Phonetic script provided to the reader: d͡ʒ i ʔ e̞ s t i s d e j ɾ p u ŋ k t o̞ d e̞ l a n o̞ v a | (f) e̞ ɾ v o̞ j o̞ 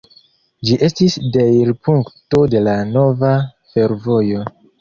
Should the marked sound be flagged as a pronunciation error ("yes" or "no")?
no